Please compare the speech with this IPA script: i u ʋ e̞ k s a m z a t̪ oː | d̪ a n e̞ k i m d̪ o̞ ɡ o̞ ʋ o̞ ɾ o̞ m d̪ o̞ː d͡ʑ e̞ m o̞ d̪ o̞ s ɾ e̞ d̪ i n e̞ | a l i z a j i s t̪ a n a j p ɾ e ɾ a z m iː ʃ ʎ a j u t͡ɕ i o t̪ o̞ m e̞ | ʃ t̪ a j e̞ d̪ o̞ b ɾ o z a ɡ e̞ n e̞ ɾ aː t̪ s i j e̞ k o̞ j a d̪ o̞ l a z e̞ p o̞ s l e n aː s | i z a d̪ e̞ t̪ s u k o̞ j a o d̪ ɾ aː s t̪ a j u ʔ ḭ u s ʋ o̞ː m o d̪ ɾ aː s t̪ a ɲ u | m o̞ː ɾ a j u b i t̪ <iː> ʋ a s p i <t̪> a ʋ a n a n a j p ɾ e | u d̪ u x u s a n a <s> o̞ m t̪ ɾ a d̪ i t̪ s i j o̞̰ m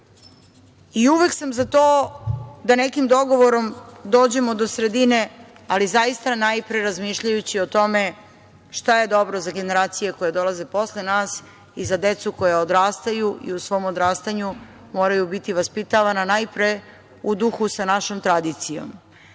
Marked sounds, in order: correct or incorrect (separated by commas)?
incorrect, correct, incorrect